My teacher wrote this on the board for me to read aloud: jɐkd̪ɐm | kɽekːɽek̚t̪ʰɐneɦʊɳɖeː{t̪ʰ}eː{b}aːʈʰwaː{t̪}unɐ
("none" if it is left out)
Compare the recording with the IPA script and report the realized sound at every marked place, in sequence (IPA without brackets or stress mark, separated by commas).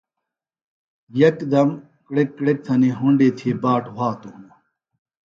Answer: t̪ʰ, b, t̪